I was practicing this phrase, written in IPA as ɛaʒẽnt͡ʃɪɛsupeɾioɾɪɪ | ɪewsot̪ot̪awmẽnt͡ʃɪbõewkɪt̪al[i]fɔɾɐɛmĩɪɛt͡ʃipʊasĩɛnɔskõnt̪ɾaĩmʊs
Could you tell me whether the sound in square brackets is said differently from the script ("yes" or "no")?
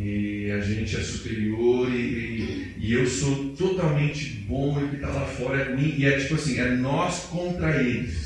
yes